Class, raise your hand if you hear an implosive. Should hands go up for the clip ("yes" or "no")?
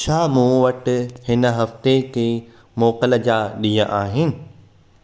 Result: yes